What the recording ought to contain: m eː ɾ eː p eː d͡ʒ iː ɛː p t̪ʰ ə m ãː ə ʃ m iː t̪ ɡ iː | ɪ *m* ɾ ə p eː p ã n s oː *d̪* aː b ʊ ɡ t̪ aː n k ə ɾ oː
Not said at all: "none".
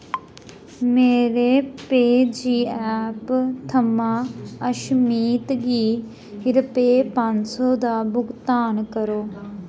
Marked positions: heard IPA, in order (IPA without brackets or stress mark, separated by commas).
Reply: none, d̪